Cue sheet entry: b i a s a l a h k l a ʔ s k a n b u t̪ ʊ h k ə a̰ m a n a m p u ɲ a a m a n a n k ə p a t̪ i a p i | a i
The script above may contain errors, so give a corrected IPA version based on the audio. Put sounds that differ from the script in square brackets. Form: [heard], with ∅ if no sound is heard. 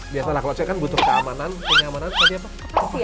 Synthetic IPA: b i a s a l a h k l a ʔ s k a n b u t̪ ʊ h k ə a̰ m a n a [n] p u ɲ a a m a n a n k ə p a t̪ i a p [a] | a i